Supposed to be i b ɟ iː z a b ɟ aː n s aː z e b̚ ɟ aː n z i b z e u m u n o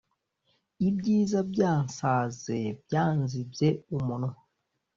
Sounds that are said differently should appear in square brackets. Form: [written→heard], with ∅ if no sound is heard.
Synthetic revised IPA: i b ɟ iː z a b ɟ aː n s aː z e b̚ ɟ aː n z i b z e u m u n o